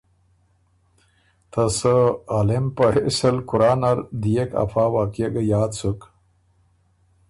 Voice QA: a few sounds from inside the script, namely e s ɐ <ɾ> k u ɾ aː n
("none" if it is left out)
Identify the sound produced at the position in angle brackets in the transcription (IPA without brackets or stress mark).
l